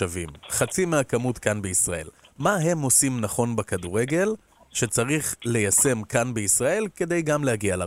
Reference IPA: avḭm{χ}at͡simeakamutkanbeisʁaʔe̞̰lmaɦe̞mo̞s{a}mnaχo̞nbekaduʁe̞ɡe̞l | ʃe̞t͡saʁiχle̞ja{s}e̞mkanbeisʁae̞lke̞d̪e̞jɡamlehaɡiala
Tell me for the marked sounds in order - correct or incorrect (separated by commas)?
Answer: correct, incorrect, correct